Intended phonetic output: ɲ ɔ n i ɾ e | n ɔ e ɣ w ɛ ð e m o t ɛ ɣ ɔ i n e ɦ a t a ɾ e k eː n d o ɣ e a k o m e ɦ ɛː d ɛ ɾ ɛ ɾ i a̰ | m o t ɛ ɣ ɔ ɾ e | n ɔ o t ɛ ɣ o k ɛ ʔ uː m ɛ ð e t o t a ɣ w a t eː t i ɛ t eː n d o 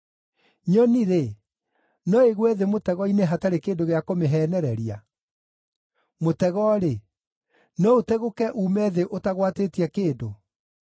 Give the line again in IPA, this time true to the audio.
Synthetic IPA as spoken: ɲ ɔ n i ɾ e | n ɔ e ɣ w ɛ ð e m o t ɛ ɣ ɔ i n e ɦ a t a ɾ e k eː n d o ɣ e a k o m e ɦ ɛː n ɛ ɾ ɛ ɾ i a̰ | m o t ɛ ɣ ɔ ɾ e | n ɔ o t ɛ ɣ o k ɛ ʔ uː m ɛ ð e ʔ o t a ɣ w a t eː t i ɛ k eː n d o